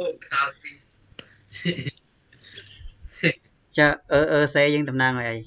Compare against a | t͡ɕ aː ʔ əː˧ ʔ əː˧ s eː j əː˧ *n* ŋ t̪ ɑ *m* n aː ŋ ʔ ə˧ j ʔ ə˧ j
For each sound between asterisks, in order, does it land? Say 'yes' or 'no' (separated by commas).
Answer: no, yes